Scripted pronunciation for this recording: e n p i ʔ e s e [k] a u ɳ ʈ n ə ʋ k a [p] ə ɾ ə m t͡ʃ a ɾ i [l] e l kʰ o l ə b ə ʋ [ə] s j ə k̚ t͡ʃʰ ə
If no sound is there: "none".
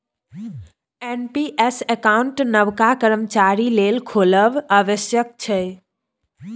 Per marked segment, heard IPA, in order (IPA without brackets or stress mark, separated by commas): k, k, l, ə